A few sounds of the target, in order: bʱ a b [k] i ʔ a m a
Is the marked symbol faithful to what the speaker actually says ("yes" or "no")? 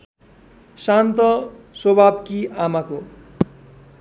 yes